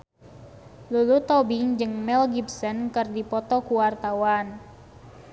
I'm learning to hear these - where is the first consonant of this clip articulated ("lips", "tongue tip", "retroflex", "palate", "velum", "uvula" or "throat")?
tongue tip